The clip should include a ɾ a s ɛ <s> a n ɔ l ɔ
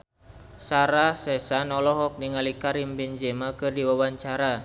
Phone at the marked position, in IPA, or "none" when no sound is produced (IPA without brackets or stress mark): s